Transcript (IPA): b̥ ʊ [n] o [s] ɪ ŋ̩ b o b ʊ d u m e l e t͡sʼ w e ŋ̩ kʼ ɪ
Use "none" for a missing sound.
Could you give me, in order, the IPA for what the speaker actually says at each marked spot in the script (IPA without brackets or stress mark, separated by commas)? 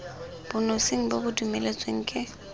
n, s